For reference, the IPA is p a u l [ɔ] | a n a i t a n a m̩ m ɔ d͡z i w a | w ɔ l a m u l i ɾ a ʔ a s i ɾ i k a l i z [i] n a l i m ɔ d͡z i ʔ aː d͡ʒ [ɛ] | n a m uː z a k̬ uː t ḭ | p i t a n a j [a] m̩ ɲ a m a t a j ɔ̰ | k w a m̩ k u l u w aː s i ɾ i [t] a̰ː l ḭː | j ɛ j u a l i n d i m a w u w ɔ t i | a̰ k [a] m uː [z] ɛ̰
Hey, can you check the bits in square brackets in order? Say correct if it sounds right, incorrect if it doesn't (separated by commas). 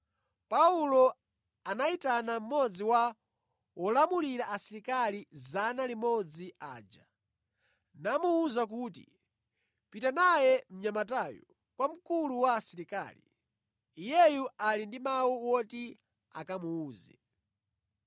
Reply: correct, incorrect, incorrect, incorrect, incorrect, correct, correct